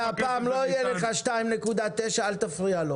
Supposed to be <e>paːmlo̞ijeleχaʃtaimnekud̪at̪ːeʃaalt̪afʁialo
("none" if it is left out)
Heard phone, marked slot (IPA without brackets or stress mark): a